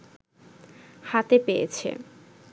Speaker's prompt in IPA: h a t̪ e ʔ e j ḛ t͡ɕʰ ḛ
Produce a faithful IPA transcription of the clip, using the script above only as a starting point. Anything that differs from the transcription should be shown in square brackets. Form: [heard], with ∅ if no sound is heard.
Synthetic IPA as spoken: h a t̪ e [p] e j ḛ t͡ɕʰ ḛ